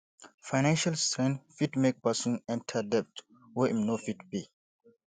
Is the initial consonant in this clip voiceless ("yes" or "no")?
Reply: yes